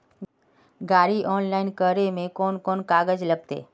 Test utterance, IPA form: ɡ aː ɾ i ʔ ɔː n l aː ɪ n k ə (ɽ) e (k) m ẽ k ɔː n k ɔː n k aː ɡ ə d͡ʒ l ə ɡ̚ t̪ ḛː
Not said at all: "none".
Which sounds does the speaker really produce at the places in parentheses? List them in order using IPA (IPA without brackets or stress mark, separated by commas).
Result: ɾ, none